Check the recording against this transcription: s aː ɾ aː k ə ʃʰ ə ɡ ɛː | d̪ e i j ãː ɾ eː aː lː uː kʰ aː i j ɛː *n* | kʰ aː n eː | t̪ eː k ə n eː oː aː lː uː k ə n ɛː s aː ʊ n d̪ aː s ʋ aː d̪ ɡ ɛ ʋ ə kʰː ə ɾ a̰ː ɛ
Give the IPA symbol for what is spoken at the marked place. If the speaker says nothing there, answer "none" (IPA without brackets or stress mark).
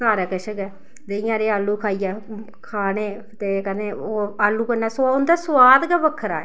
none